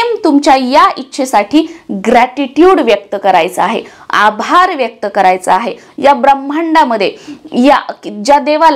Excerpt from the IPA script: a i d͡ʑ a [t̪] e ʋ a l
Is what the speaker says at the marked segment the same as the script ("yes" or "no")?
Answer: no